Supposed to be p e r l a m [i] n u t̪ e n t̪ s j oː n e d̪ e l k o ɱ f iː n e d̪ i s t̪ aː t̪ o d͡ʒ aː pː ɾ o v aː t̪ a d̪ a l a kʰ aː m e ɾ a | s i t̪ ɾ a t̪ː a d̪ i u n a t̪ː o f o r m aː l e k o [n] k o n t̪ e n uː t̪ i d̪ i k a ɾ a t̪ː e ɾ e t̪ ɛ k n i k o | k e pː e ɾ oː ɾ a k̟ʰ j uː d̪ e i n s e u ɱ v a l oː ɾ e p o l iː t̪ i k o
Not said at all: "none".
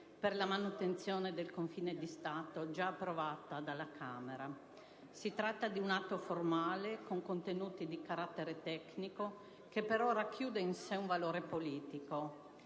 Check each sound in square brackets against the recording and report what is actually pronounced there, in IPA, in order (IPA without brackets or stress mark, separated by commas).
a, ŋ